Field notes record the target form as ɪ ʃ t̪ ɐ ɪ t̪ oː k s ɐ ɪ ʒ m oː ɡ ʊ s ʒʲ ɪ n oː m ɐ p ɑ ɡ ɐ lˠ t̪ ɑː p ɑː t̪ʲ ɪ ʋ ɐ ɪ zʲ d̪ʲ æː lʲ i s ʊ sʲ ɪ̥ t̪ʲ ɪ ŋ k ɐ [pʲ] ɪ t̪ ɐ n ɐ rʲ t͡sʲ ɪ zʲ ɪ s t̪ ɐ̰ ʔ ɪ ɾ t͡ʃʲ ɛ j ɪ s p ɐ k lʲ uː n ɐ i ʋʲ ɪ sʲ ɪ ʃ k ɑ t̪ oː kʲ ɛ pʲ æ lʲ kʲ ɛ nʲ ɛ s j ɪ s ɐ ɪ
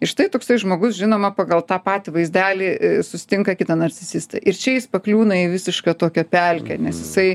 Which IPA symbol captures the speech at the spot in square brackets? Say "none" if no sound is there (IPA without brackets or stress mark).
kʲ